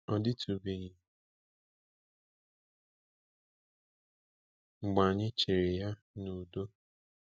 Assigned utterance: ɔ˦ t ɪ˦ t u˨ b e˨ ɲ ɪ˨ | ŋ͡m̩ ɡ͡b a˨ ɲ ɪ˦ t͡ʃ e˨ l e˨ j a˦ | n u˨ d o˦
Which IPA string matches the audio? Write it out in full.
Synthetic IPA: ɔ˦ d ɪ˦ t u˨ b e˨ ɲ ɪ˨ | ŋ͡m̩ ɡ͡b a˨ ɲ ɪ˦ t͡ʃ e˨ ɾ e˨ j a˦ | n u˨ d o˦